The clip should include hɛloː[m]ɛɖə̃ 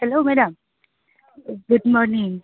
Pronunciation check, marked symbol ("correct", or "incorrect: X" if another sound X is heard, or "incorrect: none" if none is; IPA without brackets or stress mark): correct